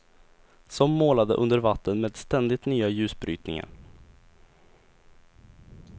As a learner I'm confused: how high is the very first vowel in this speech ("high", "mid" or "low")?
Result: mid